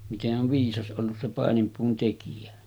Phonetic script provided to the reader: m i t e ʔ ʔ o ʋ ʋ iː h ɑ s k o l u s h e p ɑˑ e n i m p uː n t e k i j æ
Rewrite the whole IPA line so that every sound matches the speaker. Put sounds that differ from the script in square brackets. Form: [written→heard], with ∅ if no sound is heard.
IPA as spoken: m i t e ʔ ʔ o ʋ ʋ iː [h→s] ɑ s [k→ʔ] o [l→lː] u s [h→s] e p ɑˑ e n i m p uː n t e k i j æ